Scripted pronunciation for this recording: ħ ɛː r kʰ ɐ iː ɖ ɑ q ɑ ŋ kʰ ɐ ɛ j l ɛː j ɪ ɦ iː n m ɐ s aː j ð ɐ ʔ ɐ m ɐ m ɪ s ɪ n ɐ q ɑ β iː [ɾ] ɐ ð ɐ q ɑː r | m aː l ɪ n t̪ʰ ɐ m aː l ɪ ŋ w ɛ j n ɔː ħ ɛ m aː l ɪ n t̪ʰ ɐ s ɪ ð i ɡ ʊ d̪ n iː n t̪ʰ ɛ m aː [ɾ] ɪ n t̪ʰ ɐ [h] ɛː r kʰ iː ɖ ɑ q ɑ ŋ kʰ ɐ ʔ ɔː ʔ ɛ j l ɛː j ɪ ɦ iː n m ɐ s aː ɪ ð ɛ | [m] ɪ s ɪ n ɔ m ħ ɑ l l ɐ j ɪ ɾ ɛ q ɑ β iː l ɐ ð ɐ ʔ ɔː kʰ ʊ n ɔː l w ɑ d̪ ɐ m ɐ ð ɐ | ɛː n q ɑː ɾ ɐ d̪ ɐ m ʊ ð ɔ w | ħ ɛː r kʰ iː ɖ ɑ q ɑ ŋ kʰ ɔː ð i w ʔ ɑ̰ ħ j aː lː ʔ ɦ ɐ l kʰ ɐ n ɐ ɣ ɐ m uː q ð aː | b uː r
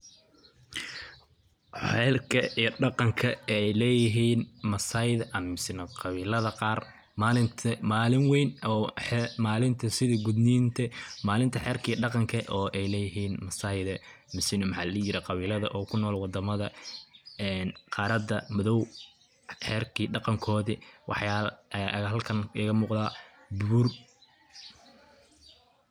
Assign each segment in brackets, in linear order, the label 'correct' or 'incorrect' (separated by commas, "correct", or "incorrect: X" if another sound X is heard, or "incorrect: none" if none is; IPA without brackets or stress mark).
incorrect: l, incorrect: l, incorrect: ħ, correct